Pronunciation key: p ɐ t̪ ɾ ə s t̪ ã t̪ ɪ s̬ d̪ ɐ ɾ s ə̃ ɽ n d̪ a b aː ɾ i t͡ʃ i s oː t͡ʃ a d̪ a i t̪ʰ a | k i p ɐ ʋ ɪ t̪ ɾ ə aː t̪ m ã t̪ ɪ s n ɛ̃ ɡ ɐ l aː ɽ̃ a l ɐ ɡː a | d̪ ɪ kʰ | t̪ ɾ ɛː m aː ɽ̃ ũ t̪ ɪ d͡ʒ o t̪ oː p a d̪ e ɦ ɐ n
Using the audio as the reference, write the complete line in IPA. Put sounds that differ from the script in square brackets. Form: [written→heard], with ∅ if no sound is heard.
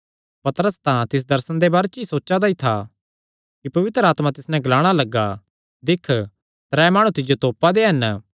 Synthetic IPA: p ɐ t̪ ɾ ə s t̪ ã t̪ ɪ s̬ d̪ ɐ ɾ s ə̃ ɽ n d̪ [a→e] b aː ɾ [i→e] t͡ʃ i s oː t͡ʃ a d̪ a i t̪ʰ a | k i p ɐ ʋ ɪ t̪ ɾ ə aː t̪ m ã t̪ ɪ s n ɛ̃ ɡ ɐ l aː ɽ̃ a l ɐ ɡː a | d̪ ɪ kʰ | t̪ ɾ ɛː m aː ɽ̃ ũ t̪ ɪ d͡ʒ o t̪ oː p a d̪ e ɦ ɐ n